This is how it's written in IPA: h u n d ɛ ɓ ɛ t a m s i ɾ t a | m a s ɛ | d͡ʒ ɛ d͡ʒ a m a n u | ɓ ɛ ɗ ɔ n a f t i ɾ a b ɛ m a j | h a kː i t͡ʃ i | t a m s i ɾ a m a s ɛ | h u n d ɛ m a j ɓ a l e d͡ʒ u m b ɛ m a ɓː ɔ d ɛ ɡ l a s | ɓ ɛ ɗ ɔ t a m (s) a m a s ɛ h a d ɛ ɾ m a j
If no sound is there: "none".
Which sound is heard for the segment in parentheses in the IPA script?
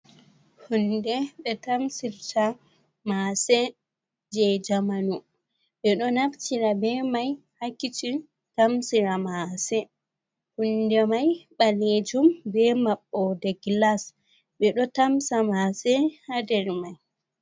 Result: s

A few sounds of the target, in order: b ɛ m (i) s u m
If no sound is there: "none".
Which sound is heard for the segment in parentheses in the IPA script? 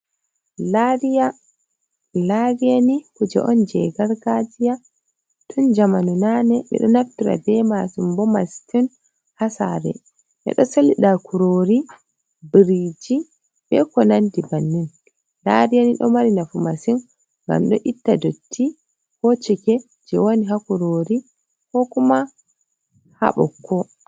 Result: a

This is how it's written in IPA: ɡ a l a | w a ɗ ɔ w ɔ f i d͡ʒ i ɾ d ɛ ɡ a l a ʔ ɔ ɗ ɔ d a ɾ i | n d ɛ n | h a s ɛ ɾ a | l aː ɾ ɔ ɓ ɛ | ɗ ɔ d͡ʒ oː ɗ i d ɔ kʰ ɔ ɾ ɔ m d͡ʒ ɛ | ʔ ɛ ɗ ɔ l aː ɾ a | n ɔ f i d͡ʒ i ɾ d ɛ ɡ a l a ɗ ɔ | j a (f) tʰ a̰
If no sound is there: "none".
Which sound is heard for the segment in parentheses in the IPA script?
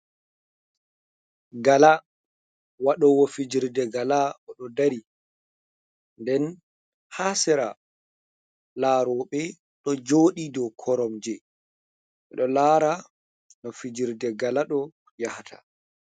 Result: h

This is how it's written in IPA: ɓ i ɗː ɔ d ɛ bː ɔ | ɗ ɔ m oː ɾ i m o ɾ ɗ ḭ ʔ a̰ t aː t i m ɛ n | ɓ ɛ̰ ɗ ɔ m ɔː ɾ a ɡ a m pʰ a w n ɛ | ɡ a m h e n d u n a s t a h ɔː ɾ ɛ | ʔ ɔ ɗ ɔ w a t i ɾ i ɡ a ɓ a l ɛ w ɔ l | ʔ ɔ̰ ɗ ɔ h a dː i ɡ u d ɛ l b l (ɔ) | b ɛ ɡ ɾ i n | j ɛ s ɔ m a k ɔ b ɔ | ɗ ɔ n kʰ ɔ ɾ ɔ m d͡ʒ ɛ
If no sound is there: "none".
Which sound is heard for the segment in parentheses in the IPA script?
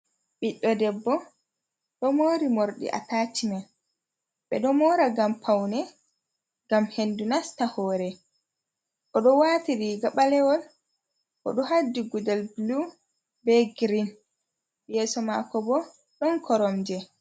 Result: u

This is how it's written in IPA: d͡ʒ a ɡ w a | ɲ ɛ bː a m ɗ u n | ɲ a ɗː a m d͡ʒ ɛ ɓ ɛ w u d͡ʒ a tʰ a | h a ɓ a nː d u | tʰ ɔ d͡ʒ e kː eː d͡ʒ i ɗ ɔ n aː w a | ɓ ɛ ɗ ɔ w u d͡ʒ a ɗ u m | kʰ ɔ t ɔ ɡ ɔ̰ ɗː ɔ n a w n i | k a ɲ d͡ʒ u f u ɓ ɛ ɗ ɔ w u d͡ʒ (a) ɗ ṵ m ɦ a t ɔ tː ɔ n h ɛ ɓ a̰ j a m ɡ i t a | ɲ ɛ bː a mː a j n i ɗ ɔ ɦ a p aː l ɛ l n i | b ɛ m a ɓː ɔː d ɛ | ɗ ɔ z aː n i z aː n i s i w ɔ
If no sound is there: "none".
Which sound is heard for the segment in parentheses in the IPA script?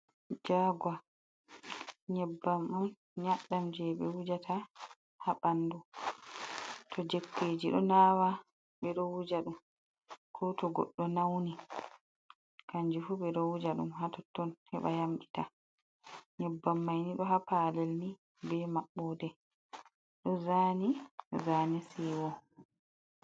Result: a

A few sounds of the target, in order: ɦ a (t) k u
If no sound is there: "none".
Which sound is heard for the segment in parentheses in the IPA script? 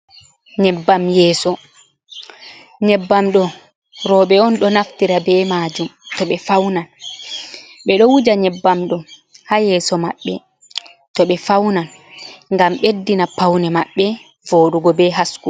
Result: s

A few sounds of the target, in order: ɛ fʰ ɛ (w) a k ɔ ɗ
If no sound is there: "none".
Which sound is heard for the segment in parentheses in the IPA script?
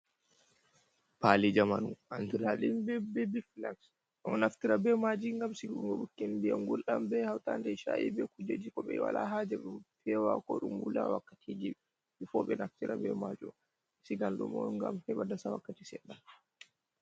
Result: w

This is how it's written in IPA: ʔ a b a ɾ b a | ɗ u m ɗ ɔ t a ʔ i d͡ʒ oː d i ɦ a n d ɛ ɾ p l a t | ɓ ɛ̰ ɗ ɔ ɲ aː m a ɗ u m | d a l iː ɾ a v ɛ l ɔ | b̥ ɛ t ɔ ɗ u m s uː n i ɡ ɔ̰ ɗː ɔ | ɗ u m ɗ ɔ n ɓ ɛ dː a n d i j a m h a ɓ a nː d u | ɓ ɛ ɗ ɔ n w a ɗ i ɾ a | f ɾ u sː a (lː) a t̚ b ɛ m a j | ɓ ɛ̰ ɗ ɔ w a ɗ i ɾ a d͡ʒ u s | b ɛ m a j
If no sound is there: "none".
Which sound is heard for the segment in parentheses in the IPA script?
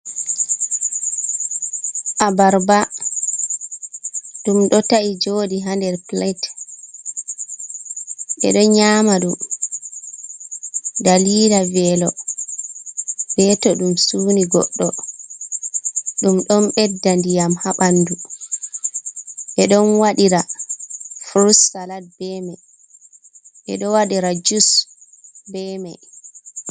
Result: l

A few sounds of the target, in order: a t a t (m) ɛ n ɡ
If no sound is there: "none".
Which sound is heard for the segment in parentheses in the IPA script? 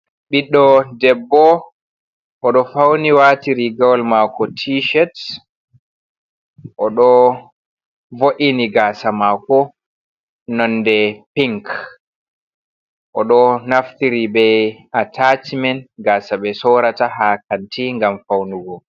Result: m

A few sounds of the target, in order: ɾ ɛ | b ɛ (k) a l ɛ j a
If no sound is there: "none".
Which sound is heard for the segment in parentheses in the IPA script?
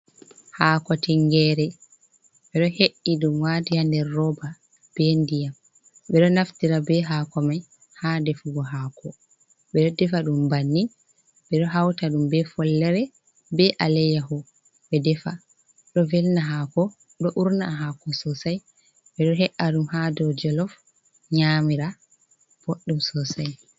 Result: ʔ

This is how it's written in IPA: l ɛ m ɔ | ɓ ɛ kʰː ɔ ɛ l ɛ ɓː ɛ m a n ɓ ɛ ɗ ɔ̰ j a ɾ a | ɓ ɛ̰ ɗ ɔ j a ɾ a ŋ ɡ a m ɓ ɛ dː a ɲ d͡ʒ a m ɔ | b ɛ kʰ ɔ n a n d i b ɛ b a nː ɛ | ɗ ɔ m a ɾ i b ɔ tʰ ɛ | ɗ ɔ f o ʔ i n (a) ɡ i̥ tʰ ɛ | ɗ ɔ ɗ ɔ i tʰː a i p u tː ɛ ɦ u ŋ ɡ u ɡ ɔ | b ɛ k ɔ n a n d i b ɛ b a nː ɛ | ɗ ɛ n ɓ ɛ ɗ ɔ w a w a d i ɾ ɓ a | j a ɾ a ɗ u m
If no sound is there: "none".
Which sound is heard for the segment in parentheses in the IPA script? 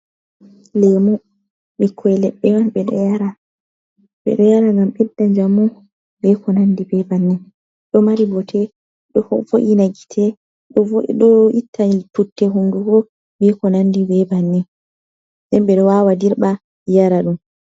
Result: a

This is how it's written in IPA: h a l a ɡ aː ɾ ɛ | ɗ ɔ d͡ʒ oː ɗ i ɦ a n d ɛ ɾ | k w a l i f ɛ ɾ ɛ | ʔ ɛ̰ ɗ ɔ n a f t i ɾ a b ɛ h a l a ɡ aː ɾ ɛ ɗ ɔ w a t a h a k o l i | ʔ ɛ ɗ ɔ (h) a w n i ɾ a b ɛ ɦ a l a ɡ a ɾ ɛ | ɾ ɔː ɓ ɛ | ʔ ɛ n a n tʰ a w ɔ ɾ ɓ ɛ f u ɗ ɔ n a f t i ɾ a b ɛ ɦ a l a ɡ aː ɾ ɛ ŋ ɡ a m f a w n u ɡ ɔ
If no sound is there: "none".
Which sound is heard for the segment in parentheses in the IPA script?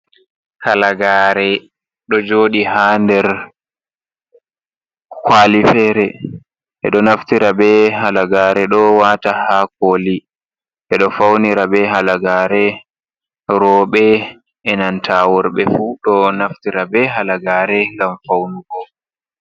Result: f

